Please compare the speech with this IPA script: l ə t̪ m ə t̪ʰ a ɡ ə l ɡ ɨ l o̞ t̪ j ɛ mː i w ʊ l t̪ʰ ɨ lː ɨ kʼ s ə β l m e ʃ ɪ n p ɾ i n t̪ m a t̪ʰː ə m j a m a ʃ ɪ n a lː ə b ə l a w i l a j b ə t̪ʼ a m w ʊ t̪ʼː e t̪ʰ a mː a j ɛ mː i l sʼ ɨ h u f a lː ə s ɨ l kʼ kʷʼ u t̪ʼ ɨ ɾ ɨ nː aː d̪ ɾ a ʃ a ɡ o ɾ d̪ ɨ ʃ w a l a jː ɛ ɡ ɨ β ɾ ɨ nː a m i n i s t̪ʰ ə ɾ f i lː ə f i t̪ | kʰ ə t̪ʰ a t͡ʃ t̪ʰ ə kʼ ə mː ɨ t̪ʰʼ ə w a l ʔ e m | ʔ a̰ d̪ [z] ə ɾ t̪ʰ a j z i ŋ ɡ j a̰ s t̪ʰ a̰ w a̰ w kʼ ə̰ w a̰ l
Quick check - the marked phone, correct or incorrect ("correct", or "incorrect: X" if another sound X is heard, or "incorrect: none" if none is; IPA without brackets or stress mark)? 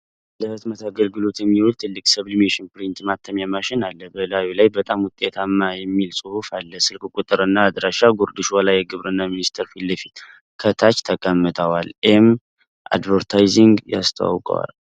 incorrect: v